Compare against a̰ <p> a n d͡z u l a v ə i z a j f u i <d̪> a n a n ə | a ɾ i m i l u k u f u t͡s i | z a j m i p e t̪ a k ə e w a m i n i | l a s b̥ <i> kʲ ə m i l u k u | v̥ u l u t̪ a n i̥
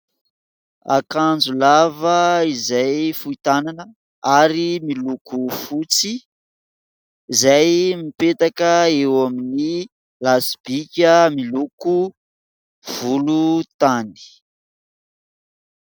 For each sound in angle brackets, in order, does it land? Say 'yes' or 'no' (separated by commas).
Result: no, no, yes